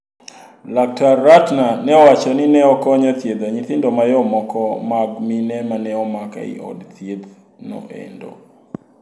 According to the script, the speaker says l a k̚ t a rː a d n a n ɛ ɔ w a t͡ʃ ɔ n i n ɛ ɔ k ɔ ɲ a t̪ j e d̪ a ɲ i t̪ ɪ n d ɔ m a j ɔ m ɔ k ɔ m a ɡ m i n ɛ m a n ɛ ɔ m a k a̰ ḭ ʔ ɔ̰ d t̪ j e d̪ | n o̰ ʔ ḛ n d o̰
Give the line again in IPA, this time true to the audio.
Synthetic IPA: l a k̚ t a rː a t n a n ɛ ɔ w a t͡ʃ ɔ n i n ɛ ɔ k ɔ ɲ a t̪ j e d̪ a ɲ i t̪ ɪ n d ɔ m a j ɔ m ɔ k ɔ m a ɡ m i n ɛ m a n ɛ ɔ m a k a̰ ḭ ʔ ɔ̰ d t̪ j e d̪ | n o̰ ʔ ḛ n d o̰